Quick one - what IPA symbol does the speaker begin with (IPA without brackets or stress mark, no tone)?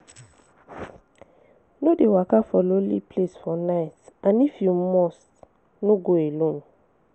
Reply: n